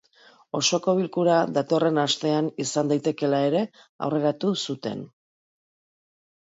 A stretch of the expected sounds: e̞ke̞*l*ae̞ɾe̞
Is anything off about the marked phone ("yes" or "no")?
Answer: no